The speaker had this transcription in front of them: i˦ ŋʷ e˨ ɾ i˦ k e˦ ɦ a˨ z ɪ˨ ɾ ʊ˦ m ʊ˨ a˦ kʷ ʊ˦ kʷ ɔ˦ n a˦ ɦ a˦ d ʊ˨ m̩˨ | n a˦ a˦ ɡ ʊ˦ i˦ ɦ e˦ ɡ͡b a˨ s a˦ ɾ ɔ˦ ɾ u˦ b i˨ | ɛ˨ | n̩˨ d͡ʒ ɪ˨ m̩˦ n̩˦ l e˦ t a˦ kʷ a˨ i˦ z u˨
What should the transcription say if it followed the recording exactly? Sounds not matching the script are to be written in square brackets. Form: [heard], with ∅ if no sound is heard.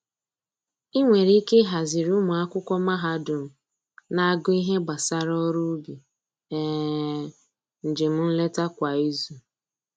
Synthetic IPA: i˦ ŋʷ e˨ ɾ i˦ k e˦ ɦ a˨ z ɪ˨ ɾ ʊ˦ m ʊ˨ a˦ kʷ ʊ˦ kʷ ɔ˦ [m] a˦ ɦ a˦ d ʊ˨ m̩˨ | n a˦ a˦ ɡ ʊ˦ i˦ ɦ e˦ ɡ͡b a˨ s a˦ ɾ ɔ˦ ɾ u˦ b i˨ | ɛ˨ | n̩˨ d͡ʒ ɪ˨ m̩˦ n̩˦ l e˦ t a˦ kʷ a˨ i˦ z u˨